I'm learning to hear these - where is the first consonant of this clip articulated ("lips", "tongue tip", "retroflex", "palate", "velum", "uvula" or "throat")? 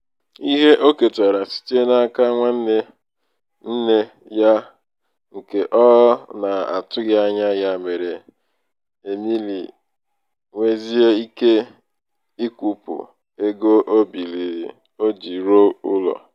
throat